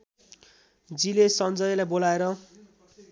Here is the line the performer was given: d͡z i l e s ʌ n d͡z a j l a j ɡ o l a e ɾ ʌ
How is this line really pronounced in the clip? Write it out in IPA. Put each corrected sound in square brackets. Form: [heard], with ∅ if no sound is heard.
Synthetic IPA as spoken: d͡z i l e s ʌ n d͡z [ʌ] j l a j [b] o l a e ɾ ʌ